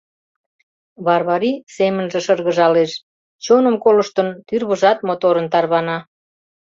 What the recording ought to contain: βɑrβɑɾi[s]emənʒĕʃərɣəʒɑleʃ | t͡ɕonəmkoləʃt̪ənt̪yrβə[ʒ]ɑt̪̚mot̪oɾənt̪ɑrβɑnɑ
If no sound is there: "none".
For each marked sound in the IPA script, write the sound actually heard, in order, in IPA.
s, ʒ

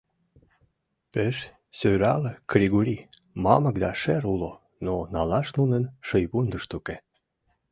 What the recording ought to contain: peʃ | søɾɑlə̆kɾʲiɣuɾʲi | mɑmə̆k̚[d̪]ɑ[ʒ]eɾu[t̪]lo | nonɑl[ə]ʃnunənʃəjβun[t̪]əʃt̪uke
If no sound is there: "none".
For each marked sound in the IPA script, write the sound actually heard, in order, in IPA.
d̪, ʃ, none, ɑ, d̪

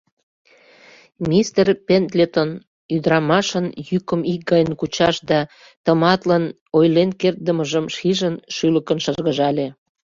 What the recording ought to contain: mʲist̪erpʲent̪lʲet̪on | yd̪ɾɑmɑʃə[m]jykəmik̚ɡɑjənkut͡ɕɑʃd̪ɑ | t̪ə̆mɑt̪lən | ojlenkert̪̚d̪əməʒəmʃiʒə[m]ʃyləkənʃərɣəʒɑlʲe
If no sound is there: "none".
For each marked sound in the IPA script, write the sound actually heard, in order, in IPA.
n, n

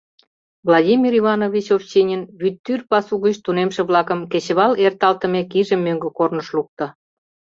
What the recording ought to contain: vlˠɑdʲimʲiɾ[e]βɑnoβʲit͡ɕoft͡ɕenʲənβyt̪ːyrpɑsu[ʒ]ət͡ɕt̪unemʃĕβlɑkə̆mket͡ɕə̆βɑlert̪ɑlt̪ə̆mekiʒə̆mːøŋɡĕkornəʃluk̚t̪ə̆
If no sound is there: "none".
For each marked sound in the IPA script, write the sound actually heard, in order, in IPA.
i, ɣ

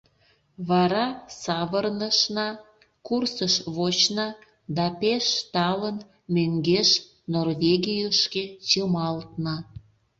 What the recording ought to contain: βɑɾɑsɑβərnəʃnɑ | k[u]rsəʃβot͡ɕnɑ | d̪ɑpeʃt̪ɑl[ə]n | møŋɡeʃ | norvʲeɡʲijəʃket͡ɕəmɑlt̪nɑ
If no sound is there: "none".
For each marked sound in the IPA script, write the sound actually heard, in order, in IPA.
u, ə

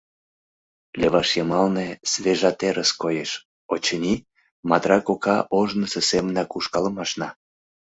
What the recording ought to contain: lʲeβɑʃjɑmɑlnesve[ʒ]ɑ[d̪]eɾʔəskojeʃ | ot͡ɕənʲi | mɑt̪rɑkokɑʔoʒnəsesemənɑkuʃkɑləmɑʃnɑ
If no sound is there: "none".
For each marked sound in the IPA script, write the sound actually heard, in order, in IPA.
ʒ, t̪

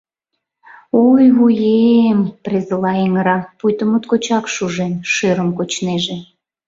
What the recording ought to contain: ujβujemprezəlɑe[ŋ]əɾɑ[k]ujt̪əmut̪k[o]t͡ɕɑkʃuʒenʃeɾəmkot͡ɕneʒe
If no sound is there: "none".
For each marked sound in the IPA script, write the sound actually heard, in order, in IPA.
ŋ, p, o

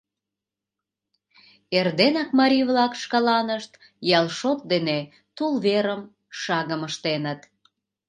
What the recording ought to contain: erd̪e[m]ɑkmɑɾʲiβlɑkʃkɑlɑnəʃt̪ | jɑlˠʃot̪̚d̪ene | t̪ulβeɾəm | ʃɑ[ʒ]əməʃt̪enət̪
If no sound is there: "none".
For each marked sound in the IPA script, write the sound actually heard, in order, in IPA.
n, ɣ

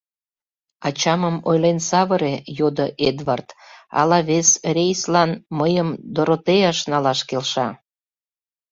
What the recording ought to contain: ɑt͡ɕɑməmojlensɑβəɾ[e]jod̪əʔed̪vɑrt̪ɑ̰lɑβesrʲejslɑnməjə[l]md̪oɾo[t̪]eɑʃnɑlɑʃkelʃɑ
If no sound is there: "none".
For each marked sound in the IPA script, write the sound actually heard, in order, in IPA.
e, none, t̪

